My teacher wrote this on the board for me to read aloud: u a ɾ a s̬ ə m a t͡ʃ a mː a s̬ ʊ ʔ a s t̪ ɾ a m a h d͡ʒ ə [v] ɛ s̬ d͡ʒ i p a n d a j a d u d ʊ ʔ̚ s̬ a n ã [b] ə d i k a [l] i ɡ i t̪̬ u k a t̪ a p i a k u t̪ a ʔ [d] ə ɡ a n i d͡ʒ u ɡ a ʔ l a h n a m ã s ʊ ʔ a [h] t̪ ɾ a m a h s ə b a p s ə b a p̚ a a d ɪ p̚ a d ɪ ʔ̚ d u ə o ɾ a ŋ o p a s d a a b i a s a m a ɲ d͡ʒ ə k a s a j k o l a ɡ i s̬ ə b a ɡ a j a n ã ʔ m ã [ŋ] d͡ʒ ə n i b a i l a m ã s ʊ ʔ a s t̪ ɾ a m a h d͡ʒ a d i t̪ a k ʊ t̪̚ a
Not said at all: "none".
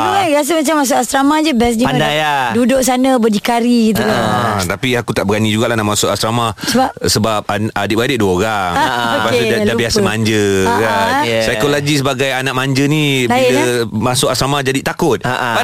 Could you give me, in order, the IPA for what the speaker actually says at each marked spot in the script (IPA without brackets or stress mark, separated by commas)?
b, b, ɾ, b, s, ɲ